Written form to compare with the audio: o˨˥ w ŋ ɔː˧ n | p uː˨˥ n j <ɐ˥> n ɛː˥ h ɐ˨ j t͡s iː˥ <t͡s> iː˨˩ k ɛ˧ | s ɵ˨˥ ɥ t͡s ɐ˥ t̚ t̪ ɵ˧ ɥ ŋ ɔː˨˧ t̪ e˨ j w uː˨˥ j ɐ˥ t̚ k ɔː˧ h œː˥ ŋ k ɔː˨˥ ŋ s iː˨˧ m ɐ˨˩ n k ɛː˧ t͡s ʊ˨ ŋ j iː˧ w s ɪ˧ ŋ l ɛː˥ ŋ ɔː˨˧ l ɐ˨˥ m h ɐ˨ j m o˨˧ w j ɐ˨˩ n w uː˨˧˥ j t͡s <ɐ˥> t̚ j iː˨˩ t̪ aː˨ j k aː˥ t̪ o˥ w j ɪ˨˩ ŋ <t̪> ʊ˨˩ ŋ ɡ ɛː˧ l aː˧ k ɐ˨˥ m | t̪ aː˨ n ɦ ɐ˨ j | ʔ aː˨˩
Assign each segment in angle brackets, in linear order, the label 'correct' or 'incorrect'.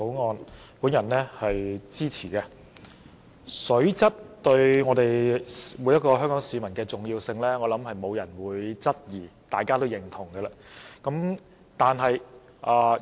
incorrect, incorrect, correct, incorrect

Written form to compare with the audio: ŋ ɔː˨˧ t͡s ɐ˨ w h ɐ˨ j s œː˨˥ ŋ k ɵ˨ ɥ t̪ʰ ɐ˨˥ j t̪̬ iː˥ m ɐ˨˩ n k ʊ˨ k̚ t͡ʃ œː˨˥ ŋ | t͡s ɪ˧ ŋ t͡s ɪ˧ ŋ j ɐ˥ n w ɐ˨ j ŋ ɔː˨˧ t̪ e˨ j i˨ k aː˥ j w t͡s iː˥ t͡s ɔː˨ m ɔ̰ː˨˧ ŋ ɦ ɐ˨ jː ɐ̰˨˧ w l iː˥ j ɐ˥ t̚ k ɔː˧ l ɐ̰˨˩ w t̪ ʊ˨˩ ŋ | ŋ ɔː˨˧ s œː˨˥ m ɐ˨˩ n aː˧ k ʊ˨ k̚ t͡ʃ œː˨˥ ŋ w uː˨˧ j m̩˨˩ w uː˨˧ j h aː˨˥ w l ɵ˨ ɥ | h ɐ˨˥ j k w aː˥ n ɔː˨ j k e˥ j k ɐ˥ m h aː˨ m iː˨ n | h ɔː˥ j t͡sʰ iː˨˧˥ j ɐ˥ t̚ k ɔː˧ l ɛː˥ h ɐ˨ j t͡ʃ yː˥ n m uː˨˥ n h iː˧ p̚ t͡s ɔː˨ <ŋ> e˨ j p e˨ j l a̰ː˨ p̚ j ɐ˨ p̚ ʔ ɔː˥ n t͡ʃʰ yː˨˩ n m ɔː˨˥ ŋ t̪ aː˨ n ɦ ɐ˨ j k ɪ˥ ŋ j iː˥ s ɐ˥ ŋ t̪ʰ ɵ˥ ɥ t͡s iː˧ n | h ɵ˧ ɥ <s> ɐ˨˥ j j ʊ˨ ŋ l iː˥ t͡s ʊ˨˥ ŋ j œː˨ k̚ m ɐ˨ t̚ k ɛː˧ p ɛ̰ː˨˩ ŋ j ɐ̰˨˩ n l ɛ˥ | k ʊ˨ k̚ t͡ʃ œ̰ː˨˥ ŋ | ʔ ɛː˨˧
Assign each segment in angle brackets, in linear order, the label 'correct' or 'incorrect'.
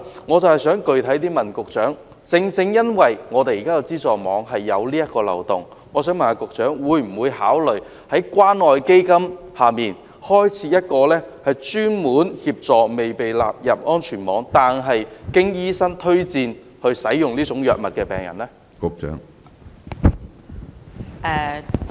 incorrect, correct

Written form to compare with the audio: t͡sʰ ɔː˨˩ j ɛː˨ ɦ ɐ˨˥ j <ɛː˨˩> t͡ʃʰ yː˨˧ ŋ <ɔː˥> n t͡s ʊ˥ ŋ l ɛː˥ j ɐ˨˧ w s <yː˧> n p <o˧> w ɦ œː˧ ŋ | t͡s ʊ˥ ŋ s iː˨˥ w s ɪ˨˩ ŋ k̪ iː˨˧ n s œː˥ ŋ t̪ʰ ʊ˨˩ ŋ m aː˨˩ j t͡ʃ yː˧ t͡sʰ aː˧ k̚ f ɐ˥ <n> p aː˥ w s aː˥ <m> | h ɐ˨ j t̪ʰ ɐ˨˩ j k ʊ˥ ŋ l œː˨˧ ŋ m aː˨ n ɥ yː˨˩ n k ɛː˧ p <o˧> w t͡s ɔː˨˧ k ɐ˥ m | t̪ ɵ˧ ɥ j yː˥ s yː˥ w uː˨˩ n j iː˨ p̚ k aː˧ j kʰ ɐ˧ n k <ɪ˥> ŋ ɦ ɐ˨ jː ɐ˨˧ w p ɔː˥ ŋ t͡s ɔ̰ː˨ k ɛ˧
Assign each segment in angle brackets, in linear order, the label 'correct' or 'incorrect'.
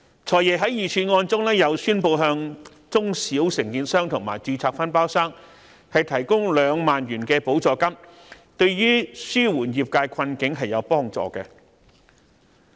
incorrect, incorrect, incorrect, correct, correct, incorrect, incorrect, incorrect

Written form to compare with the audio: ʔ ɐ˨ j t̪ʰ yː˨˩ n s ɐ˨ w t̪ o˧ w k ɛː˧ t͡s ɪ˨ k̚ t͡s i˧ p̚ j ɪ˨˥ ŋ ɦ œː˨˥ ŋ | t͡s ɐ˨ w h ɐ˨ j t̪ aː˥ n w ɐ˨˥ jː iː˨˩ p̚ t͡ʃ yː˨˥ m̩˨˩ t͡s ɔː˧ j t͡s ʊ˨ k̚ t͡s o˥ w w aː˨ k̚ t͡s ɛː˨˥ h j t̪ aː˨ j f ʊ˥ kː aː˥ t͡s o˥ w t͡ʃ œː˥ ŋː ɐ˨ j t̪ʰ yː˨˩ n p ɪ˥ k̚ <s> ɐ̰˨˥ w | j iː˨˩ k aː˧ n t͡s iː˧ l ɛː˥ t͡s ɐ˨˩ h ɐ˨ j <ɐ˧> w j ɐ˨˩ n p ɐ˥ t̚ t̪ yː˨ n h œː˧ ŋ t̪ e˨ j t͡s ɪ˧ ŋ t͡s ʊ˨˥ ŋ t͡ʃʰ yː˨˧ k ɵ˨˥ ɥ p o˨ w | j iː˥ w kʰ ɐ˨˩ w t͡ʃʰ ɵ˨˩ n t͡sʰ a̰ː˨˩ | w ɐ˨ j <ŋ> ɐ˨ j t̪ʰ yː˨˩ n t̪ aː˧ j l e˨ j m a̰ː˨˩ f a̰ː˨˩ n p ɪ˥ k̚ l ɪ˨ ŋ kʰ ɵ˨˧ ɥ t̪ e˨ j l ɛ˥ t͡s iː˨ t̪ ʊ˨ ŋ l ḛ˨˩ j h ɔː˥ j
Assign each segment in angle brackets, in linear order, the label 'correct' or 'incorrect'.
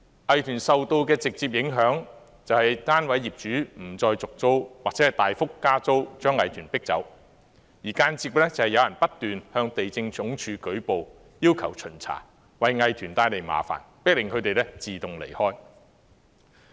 incorrect, correct, correct

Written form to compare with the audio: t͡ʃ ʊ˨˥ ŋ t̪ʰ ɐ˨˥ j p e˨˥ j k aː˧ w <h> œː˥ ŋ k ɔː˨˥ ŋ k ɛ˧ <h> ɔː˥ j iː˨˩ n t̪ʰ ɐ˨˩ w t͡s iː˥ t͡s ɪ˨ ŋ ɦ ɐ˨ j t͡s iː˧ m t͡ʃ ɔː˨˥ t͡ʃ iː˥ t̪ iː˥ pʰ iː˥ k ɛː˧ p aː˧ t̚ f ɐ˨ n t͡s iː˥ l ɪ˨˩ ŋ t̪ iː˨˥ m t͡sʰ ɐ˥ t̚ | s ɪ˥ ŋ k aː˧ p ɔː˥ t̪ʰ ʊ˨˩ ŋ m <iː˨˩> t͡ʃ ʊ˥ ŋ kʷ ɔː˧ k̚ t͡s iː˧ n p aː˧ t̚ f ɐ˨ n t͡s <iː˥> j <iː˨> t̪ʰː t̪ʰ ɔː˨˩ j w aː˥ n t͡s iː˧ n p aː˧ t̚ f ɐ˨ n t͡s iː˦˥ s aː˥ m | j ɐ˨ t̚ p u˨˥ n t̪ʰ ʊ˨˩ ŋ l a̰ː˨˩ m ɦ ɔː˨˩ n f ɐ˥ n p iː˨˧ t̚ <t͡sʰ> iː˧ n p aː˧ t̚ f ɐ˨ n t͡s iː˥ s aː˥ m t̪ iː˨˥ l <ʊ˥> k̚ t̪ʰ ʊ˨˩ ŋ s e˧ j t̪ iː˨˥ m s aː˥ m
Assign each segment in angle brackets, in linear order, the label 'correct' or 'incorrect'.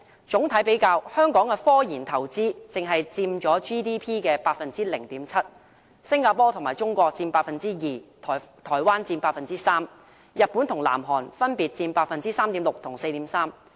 correct, incorrect, incorrect, correct, correct, incorrect, incorrect

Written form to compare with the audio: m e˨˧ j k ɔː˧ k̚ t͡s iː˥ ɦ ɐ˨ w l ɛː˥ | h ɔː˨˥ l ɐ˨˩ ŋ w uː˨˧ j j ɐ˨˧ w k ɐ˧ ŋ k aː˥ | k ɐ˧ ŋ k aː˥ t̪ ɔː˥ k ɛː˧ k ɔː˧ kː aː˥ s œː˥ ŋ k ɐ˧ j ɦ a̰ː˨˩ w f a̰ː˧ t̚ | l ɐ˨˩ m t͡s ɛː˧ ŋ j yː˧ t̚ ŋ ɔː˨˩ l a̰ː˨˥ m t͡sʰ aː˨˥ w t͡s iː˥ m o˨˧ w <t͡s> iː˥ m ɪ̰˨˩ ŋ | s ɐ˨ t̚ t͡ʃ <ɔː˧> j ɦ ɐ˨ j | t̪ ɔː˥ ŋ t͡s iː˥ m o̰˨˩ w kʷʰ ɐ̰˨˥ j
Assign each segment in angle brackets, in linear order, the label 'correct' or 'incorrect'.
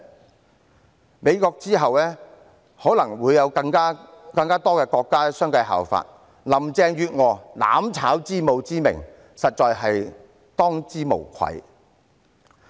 correct, correct

